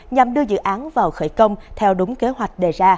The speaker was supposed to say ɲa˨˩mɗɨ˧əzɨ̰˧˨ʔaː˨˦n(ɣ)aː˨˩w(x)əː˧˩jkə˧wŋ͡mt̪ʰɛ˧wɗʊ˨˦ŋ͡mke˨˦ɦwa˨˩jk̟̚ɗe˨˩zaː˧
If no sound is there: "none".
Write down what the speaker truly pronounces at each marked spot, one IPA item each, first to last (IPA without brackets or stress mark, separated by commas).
v, x